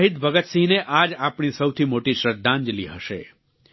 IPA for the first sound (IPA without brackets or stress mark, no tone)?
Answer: ɦ